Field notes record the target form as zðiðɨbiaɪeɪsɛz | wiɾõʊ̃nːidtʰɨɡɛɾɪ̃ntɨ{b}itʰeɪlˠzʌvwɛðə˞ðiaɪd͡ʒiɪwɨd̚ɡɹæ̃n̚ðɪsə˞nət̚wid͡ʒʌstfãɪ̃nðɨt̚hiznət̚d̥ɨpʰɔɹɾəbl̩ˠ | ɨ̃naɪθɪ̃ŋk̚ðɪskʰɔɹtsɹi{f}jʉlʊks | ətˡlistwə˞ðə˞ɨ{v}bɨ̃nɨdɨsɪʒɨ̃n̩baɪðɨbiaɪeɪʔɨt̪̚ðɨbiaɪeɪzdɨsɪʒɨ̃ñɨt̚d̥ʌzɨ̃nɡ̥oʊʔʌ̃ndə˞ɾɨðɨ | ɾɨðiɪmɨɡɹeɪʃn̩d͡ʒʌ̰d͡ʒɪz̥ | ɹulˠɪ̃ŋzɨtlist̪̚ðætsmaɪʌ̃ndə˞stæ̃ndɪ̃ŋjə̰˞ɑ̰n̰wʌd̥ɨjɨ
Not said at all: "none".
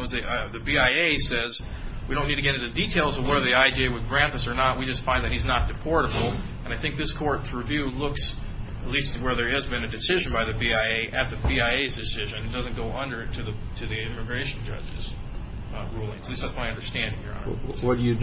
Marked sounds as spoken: d, v, z

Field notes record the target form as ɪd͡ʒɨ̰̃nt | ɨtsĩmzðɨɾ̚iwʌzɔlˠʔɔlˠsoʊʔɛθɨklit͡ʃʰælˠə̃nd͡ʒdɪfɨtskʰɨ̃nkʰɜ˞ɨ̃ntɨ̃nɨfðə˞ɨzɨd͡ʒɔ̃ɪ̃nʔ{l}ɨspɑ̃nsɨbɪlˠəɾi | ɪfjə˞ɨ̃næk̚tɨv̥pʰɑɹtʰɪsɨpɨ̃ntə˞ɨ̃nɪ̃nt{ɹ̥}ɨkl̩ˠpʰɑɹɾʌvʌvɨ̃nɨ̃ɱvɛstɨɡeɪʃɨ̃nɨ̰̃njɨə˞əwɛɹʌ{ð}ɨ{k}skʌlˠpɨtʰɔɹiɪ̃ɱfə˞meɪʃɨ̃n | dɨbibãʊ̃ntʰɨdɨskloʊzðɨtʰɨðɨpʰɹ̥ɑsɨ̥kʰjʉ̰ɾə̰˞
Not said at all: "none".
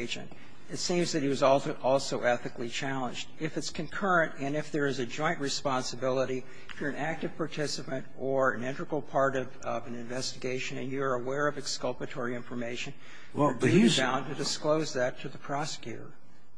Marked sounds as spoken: ɹ, ɹ̥, v, k

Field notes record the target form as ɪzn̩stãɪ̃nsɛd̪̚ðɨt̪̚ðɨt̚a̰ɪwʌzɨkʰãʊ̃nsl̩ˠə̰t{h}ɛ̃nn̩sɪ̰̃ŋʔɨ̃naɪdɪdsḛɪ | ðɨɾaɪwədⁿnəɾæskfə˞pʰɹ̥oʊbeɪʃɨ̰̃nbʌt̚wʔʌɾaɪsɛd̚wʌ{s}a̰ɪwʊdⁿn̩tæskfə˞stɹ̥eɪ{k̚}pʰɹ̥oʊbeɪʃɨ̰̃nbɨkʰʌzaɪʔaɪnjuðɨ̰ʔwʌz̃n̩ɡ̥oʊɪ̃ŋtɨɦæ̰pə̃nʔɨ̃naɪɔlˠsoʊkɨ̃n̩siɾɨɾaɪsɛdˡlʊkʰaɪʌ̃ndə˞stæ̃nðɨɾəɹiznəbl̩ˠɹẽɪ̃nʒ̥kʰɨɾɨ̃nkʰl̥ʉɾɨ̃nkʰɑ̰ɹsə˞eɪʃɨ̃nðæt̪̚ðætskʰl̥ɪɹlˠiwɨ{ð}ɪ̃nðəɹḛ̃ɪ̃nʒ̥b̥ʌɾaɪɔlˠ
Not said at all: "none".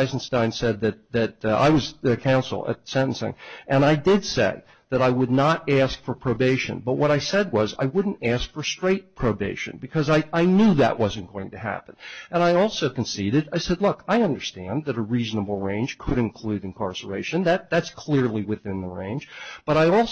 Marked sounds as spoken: s, z, t̚, θ

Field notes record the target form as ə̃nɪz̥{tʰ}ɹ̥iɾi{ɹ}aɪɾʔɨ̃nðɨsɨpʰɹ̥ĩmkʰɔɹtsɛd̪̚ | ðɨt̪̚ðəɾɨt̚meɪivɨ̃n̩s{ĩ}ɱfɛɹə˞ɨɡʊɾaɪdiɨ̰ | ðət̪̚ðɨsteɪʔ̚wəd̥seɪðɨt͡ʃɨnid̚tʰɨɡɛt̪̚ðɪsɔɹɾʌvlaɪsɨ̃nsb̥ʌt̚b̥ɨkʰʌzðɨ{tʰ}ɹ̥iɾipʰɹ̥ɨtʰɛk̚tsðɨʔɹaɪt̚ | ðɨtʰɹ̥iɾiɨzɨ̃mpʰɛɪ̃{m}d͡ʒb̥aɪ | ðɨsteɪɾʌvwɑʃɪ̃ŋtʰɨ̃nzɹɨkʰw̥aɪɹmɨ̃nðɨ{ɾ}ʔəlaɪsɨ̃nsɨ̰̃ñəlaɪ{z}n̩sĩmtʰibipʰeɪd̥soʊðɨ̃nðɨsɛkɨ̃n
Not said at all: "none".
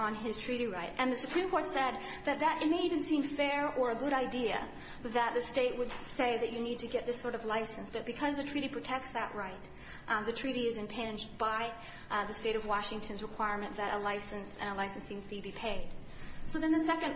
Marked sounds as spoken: tʰ, ɹ, ĩ, tʰ, n, ɾ, s

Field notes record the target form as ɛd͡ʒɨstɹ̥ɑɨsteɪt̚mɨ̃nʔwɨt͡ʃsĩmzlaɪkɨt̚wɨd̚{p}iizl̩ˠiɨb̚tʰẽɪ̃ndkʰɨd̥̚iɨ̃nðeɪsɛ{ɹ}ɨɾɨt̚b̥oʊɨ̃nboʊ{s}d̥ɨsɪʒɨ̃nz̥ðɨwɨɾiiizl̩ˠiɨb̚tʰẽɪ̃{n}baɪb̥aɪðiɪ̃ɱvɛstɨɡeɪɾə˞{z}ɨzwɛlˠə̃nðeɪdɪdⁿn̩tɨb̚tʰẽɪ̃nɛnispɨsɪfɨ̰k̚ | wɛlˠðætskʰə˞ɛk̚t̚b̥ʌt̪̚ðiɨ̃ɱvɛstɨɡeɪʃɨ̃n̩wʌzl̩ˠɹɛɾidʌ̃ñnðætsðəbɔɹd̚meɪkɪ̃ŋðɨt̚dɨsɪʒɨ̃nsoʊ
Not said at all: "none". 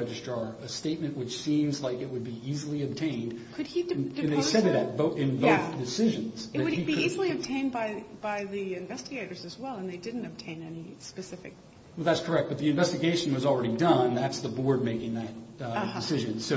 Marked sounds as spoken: b, ɾ, θ, n, z

